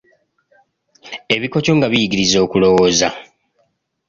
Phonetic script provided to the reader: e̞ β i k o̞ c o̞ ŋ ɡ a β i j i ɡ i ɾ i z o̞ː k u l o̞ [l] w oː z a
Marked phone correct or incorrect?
incorrect